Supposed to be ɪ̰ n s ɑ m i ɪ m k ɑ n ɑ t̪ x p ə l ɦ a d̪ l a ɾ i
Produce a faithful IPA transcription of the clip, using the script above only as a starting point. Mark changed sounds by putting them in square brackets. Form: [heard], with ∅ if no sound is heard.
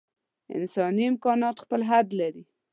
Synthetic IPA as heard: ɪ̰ n s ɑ [n] i ɪ m k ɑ n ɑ t̪ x p ə l ɦ a d̪ l a ɾ i

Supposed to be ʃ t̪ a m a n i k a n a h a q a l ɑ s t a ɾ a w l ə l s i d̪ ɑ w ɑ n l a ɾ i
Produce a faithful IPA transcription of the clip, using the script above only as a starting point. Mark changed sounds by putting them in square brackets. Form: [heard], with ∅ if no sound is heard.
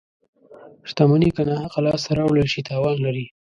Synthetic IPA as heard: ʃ t̪ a m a n i k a n a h a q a l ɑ s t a ɾ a w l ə l [ʃ] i [t̪] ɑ w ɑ n l a ɾ i

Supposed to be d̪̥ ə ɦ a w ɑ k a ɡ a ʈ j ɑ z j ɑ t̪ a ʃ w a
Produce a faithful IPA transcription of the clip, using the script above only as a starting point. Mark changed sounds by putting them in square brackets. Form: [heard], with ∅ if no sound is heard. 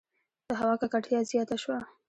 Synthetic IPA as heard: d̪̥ ə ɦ a w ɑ k a [k] a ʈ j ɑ z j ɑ t̪ a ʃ w a

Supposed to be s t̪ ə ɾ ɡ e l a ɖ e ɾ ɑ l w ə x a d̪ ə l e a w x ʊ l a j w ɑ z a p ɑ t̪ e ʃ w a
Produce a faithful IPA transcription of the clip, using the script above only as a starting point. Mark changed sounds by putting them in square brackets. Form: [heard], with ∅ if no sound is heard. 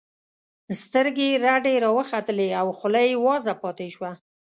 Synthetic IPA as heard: s t̪ ə ɾ ɡ e [ɾ] a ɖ e ɾ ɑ [∅] w ə x a [t̪] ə l e a w x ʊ l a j w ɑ z a p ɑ t̪ e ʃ w a

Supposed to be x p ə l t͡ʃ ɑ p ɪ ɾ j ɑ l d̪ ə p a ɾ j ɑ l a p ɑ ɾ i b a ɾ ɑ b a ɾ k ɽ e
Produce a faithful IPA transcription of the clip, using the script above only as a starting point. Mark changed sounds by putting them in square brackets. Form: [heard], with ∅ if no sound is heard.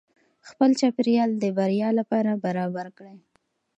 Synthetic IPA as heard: x p ə l t͡ʃ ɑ p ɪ ɾ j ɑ l d̪ ə [b] a ɾ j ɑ l a p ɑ ɾ [a] b a ɾ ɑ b a ɾ k ɽ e

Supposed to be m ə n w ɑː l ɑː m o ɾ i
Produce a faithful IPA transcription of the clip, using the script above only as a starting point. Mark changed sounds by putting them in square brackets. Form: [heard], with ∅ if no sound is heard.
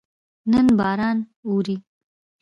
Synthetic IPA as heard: [n] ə n [b] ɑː [ɾ] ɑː [n] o ɾ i

